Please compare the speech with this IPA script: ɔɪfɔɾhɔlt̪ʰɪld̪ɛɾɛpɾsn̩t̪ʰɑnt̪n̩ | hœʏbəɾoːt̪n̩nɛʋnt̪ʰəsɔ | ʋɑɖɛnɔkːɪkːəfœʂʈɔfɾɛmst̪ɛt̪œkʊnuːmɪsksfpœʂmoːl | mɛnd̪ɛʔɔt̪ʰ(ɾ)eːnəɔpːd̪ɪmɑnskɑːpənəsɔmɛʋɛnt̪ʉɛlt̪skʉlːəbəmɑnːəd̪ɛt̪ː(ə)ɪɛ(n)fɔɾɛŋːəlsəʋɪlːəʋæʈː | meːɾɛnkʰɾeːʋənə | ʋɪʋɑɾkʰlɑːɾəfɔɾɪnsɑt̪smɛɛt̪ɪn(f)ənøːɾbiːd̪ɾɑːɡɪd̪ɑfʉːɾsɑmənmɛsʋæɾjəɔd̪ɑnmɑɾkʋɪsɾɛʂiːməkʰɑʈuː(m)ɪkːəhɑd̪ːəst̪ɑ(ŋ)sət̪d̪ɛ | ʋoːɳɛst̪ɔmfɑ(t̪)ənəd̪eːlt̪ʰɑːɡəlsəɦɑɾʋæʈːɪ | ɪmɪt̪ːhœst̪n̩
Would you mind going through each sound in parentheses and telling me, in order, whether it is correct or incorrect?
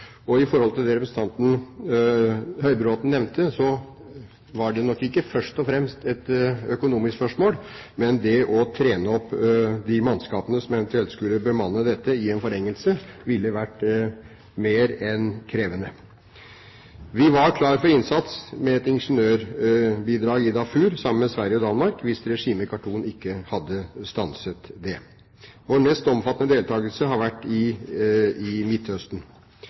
correct, correct, correct, incorrect, incorrect, incorrect, correct

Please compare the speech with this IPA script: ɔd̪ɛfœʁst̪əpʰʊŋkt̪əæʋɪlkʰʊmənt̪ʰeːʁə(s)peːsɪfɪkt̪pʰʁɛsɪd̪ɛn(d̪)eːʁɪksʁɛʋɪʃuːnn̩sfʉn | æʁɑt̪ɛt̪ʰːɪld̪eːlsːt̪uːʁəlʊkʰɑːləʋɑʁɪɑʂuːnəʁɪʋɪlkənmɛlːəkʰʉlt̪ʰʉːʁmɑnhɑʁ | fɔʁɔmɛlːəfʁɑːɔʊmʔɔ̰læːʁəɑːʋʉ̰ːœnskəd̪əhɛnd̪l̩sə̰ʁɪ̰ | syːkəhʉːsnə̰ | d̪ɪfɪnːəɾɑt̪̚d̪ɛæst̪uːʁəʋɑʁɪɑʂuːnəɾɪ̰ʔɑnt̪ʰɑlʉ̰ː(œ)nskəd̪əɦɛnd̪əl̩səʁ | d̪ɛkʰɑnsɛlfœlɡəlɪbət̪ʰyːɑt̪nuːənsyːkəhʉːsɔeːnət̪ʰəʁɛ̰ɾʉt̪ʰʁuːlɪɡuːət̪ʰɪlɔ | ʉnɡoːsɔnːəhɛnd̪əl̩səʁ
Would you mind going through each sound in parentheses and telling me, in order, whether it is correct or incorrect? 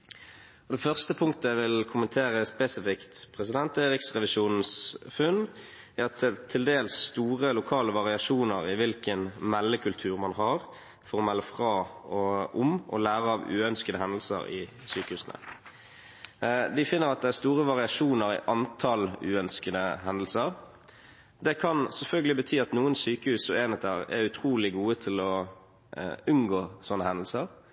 correct, incorrect, correct

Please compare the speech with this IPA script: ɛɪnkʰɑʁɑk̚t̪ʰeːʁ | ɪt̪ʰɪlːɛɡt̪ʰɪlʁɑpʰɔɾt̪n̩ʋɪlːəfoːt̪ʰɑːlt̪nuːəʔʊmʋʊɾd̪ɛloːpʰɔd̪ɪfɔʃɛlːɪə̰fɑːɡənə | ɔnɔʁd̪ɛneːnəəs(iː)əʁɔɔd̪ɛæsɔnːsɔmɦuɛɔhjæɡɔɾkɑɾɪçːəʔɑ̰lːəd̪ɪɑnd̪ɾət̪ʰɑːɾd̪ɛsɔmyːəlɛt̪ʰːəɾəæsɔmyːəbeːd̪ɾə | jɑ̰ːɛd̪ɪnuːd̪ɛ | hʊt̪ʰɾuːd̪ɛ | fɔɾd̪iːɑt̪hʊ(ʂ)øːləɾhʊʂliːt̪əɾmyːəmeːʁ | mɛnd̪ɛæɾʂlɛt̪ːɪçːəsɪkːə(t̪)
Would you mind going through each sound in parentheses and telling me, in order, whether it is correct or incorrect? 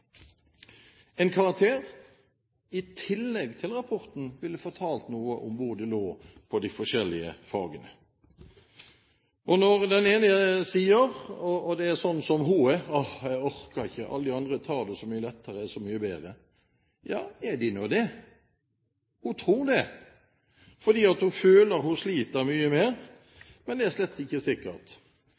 correct, incorrect, correct

